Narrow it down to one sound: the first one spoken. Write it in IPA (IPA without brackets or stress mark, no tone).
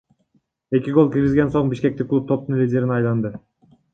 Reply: e̞